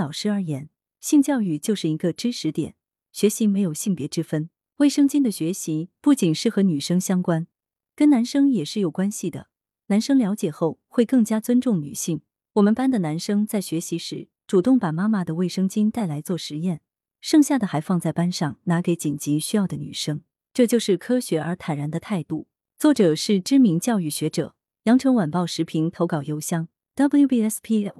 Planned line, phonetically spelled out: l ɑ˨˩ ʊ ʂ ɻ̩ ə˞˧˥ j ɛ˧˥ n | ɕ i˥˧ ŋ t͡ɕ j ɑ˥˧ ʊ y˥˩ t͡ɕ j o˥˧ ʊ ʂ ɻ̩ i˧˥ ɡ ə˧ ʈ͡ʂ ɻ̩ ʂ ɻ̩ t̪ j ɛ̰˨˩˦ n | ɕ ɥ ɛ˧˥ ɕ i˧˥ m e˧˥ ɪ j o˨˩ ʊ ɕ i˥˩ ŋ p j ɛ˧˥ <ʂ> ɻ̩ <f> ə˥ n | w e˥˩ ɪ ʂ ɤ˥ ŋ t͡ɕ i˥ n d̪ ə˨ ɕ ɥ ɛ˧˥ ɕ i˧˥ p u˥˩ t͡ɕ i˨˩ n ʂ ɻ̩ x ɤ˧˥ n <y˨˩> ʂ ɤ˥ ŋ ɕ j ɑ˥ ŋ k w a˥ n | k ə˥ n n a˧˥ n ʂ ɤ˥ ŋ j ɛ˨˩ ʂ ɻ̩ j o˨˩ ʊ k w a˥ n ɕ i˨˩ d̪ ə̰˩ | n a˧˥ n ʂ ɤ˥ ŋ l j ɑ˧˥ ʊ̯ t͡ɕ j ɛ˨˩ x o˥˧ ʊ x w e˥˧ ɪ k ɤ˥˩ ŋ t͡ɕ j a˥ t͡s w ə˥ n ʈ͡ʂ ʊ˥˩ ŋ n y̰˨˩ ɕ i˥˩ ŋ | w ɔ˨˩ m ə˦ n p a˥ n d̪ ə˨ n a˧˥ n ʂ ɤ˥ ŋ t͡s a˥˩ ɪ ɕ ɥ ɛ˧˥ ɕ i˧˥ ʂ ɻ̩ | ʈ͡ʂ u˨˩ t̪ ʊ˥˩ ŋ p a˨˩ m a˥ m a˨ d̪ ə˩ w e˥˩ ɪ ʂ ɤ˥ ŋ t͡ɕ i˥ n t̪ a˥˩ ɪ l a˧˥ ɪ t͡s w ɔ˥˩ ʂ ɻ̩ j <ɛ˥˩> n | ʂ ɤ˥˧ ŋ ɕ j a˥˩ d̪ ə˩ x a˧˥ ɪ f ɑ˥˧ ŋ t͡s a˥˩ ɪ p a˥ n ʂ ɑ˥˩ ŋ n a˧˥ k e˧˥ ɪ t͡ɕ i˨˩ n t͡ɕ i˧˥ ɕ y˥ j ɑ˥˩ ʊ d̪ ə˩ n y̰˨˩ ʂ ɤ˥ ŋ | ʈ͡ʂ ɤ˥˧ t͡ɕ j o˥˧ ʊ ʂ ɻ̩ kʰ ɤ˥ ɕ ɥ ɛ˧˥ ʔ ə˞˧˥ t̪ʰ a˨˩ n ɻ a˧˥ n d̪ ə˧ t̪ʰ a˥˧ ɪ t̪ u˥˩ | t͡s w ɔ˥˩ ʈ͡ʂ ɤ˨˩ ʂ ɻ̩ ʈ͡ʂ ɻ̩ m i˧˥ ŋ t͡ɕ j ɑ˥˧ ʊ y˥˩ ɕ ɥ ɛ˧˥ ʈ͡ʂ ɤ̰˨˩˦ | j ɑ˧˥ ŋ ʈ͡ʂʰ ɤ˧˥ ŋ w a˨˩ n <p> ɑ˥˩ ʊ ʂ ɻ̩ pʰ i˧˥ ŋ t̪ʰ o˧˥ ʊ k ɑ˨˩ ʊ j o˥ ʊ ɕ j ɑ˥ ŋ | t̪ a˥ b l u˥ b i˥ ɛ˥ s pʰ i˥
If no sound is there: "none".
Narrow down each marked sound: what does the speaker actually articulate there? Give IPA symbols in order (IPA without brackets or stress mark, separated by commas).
ʈ͡ʂ, f, y˨˩, ɛ˥˩, p